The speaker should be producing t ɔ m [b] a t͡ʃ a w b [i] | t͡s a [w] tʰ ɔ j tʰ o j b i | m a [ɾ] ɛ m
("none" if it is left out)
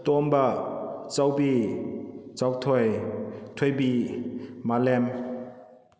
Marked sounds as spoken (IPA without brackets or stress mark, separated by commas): b, i, w, l